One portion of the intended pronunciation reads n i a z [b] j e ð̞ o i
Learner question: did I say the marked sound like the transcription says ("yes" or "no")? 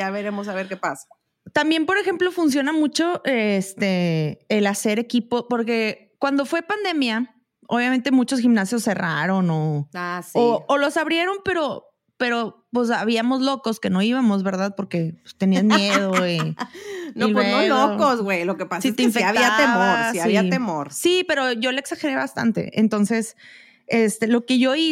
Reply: no